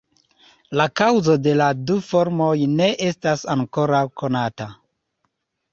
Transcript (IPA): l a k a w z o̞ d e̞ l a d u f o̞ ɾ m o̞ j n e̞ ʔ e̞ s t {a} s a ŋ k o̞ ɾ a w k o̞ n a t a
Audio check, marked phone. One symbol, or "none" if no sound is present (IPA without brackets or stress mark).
a